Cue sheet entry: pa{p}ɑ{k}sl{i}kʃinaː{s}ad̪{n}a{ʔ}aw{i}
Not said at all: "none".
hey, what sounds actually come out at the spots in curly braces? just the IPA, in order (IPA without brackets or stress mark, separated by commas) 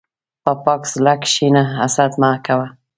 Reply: p, k, a, s, m, k, a